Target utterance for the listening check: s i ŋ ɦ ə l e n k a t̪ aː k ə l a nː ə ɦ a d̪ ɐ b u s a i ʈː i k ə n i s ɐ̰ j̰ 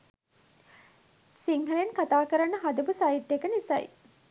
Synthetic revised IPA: s i ŋ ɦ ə l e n k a t̪ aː k ə ɾ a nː ə ɦ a d̪ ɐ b u s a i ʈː e k ə n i s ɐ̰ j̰